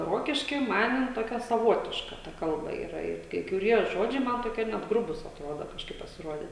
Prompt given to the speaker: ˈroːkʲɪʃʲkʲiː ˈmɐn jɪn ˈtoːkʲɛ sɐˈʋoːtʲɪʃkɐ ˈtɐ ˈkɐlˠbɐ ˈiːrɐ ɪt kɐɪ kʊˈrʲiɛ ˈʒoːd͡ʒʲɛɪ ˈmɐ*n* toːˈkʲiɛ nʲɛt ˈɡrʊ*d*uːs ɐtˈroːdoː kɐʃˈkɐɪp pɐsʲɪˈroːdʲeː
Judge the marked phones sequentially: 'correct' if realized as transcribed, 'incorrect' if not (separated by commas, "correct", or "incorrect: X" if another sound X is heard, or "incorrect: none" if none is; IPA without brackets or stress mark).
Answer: correct, incorrect: b